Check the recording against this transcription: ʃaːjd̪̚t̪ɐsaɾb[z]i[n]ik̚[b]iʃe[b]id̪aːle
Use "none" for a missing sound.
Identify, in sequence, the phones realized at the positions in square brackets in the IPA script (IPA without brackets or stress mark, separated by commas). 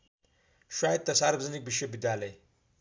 z, n, b, b